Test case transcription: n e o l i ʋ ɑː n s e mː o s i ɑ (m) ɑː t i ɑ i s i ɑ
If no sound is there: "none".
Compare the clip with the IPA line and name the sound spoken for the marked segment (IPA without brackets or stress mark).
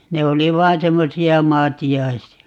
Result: m